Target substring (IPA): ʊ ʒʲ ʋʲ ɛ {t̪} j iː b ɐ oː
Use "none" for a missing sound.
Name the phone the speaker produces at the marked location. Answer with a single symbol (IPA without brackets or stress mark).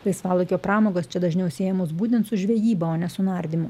none